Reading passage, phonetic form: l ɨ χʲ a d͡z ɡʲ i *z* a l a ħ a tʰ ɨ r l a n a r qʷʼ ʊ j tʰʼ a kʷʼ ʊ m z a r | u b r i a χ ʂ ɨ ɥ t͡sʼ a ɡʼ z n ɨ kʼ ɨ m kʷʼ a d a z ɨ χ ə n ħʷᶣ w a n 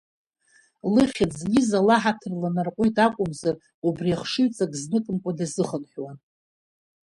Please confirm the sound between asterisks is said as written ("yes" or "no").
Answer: yes